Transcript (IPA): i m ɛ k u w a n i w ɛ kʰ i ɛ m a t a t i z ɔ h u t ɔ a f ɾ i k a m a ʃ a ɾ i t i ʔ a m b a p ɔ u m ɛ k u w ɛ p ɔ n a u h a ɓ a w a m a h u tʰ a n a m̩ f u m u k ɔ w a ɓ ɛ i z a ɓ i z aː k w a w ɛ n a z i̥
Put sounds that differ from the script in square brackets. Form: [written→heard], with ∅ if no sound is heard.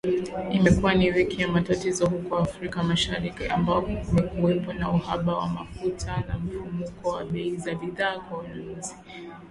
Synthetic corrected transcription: i m ɛ k u w a n i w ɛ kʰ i [ɛ→a] m a t a t i z ɔ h u [t→k] ɔ a f ɾ i k a m a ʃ a ɾ i [t→k] i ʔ a m b a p ɔ u m ɛ k u w ɛ p ɔ n a u h a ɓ a w a m a [h→f] u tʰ a n a m̩ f u m u k ɔ w a ɓ ɛ i z a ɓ i [z→ð] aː k w a w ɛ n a z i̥